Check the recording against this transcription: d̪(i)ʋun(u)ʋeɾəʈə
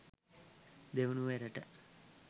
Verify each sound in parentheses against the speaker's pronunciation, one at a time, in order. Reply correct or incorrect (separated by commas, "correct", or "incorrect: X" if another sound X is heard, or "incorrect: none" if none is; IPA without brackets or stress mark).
incorrect: e, correct